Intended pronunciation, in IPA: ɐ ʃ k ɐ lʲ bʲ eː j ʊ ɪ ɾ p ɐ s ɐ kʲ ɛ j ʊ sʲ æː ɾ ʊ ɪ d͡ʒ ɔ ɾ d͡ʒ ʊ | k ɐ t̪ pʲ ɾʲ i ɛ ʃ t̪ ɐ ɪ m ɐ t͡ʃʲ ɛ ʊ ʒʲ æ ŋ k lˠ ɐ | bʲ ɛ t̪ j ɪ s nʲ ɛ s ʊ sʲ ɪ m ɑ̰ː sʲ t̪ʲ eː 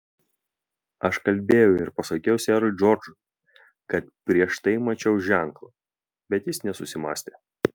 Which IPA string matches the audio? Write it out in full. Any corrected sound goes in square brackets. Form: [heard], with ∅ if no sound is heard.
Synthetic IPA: ɐ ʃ k ɐ lʲ bʲ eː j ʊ ɪ ɾ p ɐ s ɐ kʲ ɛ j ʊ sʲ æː ɾ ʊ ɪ d͡ʒ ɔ ɾ d͡ʒ ʊ | k ɐ t̪ pʲ ɾʲ i ɛ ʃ t̪ ɐ ɪ m ɐ t͡ʃʲ ɛ ʊ ʒʲ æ ŋ k lˠ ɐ | bʲ ɛ t̪ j ɪ s nʲ ɛ s ʊ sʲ ɪ m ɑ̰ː sʲ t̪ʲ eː